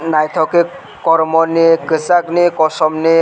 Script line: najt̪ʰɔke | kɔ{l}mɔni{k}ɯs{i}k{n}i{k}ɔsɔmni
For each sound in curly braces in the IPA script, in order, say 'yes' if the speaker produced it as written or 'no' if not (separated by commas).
no, yes, no, yes, yes